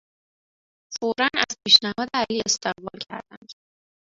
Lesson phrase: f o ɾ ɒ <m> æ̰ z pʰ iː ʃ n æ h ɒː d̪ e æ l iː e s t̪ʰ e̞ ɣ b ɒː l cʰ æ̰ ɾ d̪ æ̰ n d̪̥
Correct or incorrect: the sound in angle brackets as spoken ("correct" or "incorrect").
incorrect